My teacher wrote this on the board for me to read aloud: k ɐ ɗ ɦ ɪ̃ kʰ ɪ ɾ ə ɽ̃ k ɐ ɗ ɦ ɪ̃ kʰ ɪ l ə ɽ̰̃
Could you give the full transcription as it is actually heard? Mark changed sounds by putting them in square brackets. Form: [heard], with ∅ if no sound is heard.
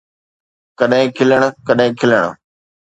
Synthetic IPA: k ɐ ɗ ɦ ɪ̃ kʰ ɪ [l] ə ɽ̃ k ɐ ɗ ɦ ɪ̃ kʰ ɪ l ə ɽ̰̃